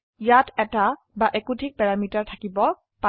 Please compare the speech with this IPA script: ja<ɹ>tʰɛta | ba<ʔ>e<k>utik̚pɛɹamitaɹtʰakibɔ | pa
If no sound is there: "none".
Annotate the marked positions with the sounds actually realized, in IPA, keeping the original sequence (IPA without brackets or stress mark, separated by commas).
none, ʔ, k